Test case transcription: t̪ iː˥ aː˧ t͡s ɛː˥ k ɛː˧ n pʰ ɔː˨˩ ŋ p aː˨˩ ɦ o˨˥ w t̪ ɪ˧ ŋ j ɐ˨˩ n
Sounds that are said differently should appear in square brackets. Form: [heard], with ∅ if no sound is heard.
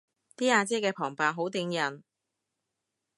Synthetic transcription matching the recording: t̪ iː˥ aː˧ t͡s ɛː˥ k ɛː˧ [∅] pʰ ɔː˨˩ ŋ p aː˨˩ ɦ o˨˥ w t̪ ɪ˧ ŋ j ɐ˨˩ n